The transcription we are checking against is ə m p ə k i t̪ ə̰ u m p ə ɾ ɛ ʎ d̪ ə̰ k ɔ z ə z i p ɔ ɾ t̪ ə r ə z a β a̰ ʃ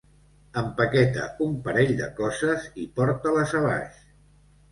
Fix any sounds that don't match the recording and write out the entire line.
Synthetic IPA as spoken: ə m p ə k ɛ t̪ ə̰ u m p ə ɾ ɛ ʎ d̪ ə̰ k ɔ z ə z i p ɔ ɾ t̪ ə l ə z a β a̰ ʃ